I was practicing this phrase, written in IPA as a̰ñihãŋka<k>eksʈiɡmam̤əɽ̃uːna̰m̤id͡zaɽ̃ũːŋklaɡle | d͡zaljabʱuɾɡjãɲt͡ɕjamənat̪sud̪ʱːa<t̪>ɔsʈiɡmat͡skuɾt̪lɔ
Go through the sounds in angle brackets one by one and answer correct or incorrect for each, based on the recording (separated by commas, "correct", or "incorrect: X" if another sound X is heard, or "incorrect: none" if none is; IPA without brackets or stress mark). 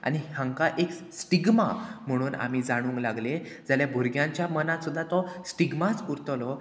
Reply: incorrect: ʔ, correct